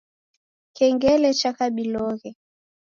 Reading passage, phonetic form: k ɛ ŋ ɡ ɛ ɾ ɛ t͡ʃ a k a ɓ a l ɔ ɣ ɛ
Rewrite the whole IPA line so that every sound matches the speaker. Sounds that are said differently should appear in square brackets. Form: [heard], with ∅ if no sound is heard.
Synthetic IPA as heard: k ɛ ŋ ɡ ɛ [l] ɛ t͡ʃ a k a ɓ [i] l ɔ ɣ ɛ

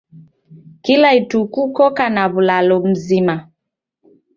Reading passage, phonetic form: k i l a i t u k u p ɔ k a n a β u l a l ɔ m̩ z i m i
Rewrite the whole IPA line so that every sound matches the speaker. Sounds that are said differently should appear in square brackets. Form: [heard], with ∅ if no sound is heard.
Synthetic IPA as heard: k i l a i t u k u [k] ɔ k a n a β u l a l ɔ m̩ z i m [a]

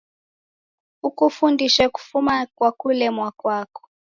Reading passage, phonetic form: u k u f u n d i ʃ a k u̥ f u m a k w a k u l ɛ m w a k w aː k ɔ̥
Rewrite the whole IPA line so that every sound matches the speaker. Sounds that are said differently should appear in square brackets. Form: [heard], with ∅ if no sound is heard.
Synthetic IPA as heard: u k u f u n d i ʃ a k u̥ f u m a k w a k u l ɛ m w a k w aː k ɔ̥

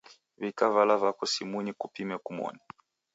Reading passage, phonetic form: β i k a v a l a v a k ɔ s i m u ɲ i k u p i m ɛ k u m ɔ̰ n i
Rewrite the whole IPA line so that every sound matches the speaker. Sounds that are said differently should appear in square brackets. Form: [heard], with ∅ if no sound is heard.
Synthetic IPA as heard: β i k a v a l a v a k ɔ s i m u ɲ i k u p i m ɛ k u m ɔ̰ n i

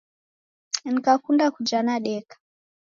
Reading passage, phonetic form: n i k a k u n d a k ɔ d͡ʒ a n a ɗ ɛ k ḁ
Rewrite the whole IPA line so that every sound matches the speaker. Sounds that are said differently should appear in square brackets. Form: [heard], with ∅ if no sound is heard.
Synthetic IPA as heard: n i k a k u n d a k [u] d͡ʒ a n a ɗ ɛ k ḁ

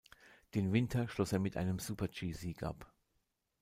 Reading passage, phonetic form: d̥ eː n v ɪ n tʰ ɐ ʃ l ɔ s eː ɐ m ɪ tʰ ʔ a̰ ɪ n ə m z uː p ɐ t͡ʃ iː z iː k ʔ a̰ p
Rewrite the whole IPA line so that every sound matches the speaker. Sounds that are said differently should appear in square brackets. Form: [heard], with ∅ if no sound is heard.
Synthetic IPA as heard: d̥ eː n v ɪ n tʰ ɐ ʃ l ɔ s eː ɐ m ɪ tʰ ʔ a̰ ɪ n ə m z uː p ɐ t͡ʃ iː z iː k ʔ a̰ p

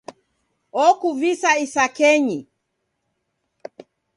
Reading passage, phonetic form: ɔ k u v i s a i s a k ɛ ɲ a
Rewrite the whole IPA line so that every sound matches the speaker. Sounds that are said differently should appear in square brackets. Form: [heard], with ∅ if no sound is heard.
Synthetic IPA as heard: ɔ k u v i s a i s a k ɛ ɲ [i]

